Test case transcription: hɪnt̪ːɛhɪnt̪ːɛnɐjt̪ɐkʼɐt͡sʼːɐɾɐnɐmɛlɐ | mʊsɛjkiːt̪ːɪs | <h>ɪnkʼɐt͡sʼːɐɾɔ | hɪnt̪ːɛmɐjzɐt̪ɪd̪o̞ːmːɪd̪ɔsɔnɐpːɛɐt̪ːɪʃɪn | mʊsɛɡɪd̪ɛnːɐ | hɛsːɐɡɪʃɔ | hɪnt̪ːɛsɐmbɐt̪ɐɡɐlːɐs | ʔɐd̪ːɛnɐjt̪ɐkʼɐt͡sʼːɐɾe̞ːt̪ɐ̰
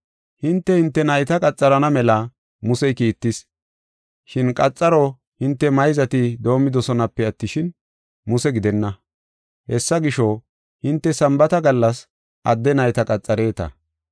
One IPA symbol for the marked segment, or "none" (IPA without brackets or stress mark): ʃ